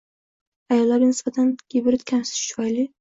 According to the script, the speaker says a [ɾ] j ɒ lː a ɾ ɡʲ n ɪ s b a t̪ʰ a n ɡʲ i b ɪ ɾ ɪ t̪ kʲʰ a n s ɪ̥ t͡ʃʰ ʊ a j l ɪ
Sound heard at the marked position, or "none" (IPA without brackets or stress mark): none